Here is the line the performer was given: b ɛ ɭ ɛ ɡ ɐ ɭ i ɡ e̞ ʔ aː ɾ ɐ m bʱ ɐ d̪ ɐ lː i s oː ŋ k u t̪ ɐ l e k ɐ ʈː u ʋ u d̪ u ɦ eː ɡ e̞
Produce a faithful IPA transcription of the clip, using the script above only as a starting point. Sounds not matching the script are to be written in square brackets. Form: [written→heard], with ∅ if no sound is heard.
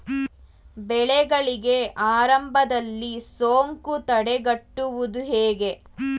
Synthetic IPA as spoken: b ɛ ɭ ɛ ɡ ɐ ɭ i ɡ e̞ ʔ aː ɾ ɐ m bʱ ɐ d̪ ɐ lː i s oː ŋ k u t̪ ɐ [l→ɽ] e [k→ɡ] ɐ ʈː u ʋ u d̪ u ɦ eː ɡ e̞